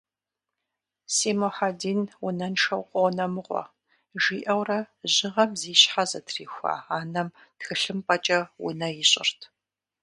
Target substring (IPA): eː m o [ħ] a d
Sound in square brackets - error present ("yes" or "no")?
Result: no